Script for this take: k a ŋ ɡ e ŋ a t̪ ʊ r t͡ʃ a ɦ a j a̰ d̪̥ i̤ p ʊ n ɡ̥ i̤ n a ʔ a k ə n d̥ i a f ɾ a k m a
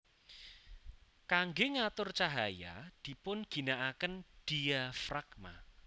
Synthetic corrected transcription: k a ŋ ɡ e ŋ a t̪ ʊ r t͡ʃ a ɦ a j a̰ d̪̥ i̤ p ʊ n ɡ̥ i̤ n a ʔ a k ə n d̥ i a f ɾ a k m a